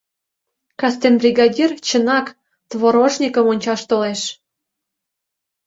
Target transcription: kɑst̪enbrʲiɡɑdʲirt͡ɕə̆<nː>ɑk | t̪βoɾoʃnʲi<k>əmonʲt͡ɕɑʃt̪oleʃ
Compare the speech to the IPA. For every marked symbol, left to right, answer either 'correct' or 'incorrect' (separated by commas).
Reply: incorrect, correct